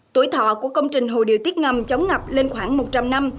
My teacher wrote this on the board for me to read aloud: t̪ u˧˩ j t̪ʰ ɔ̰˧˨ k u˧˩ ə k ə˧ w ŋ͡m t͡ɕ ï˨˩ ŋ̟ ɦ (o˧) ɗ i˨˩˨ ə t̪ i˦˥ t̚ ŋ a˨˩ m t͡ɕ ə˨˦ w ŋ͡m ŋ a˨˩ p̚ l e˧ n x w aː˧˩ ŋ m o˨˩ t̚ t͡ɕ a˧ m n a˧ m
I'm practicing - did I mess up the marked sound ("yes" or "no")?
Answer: yes